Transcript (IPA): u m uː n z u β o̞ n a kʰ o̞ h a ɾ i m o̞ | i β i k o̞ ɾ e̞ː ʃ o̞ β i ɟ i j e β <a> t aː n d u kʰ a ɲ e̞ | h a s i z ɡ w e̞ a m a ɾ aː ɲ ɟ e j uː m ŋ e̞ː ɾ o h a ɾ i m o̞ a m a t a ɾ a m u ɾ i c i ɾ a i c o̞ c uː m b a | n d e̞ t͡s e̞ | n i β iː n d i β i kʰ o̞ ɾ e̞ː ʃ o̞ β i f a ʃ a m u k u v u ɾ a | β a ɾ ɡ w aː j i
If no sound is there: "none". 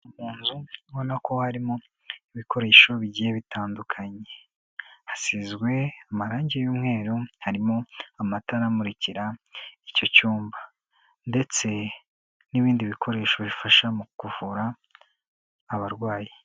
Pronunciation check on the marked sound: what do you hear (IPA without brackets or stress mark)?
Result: i